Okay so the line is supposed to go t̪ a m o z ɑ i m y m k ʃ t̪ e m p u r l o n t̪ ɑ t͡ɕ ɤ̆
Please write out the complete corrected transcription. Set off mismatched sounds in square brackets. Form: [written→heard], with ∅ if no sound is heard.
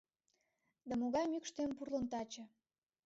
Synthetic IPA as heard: [t̪→d̪] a m o [z→ɣ] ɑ [i→j] m y [m→∅] k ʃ t̪ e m p u r l o n t̪ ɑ t͡ɕ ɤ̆